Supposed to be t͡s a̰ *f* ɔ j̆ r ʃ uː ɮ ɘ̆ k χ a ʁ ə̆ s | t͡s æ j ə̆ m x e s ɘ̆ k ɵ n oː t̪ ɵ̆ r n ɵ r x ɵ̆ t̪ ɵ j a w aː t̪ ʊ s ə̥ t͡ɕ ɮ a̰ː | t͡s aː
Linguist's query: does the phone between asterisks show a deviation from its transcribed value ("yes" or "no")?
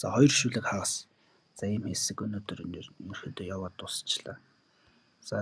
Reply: yes